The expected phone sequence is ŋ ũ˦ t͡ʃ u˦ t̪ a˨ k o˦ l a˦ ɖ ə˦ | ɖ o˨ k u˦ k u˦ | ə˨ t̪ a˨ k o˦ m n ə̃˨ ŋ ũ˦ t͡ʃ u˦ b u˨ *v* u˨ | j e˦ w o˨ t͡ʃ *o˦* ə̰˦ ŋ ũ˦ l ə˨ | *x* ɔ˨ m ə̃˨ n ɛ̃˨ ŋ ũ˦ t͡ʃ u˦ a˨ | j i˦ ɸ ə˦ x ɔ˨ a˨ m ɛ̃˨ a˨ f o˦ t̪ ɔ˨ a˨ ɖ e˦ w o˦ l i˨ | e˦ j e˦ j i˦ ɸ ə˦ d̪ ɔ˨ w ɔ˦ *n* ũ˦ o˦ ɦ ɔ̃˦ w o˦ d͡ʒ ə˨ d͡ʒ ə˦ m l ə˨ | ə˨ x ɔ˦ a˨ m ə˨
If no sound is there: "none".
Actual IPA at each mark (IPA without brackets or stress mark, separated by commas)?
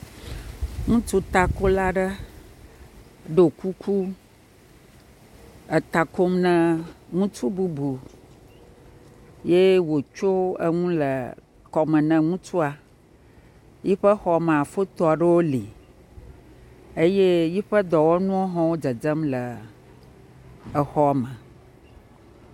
b, o˦, k, n